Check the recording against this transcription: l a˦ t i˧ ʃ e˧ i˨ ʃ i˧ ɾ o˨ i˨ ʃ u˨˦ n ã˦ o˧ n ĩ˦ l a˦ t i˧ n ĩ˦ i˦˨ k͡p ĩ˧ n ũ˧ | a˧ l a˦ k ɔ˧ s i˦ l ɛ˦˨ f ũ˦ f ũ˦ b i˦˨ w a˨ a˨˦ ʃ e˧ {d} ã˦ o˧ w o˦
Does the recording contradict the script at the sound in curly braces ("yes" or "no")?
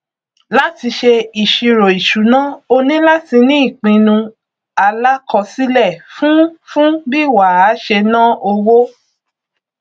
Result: yes